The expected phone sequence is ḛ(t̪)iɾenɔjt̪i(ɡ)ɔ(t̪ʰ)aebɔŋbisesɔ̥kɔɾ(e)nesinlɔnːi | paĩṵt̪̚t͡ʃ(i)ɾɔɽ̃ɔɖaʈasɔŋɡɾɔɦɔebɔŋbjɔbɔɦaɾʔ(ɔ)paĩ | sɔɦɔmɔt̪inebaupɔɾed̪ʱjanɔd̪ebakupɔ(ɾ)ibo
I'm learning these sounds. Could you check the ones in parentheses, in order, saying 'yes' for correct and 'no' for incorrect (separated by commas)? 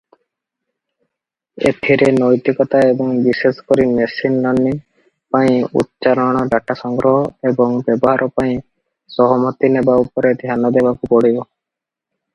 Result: no, no, no, no, no, yes, no